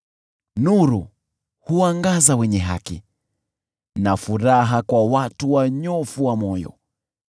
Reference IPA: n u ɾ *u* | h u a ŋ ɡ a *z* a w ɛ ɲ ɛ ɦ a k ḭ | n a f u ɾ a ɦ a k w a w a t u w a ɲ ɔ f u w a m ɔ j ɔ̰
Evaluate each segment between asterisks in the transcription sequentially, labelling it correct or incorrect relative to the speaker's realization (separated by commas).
correct, correct